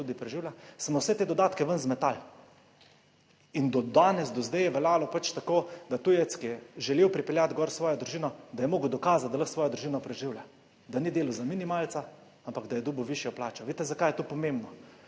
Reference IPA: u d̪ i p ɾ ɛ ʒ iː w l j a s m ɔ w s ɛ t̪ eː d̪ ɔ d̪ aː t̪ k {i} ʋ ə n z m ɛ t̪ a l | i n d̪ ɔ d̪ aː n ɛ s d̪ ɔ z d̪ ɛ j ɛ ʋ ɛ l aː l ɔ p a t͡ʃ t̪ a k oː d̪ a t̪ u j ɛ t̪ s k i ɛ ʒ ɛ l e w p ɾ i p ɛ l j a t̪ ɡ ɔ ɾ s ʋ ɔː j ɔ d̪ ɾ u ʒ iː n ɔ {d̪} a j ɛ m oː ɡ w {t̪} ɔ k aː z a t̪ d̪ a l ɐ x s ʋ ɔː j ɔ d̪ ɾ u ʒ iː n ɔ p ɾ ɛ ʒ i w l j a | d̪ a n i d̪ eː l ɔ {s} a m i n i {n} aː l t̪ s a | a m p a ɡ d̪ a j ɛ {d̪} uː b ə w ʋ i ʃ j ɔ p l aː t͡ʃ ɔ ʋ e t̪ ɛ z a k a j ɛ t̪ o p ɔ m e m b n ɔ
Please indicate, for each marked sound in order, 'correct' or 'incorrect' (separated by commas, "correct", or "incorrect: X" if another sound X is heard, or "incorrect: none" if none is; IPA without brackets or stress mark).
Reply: incorrect: ɛ, correct, incorrect: d̪, incorrect: z, incorrect: m, correct